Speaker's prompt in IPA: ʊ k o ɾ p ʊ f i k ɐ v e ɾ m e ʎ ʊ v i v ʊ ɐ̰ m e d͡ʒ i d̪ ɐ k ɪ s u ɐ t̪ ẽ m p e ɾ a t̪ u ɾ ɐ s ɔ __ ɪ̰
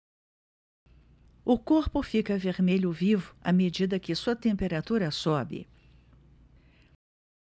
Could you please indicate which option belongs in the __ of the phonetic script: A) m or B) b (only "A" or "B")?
B